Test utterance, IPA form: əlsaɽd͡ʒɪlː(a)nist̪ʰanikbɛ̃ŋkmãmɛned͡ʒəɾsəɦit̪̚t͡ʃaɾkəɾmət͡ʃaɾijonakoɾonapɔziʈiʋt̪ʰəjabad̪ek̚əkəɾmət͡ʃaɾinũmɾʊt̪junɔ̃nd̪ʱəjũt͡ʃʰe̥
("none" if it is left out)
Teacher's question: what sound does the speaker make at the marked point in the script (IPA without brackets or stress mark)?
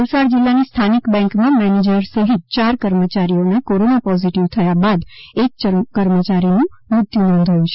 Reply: a